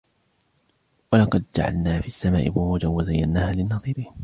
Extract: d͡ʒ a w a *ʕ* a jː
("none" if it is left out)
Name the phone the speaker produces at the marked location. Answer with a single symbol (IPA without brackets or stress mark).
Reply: z